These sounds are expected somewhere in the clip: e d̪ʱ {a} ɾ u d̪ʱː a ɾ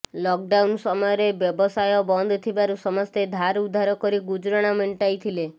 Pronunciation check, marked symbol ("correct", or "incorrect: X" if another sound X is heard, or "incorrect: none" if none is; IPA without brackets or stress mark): correct